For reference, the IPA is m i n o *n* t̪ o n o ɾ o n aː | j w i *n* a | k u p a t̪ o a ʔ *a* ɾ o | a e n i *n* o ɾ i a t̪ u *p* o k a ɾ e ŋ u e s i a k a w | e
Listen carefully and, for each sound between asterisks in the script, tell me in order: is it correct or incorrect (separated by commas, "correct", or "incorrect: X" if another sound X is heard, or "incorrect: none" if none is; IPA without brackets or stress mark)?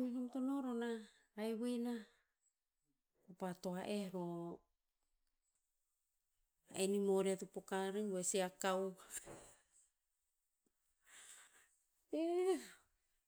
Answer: incorrect: m, correct, incorrect: e, incorrect: m, correct